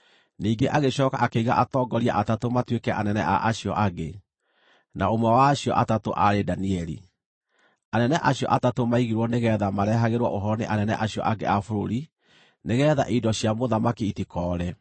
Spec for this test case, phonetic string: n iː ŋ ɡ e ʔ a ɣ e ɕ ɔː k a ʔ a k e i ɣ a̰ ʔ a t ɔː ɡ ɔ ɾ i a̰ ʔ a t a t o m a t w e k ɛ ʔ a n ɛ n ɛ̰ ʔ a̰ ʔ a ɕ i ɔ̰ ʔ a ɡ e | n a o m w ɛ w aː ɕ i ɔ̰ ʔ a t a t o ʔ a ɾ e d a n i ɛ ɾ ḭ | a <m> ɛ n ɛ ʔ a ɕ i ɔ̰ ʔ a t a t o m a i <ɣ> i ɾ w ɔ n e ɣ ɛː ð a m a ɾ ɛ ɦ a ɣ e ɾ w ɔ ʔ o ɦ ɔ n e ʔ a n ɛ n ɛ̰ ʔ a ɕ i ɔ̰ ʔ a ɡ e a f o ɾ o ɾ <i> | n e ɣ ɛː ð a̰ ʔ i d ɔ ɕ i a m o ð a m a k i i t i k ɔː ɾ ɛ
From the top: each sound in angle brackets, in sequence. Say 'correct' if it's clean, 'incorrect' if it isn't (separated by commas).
incorrect, correct, correct